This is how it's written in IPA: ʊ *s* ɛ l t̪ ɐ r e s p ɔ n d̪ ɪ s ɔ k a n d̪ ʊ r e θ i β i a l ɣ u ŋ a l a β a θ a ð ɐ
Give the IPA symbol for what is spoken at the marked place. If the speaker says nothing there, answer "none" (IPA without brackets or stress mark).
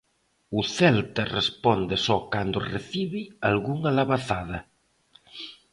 θ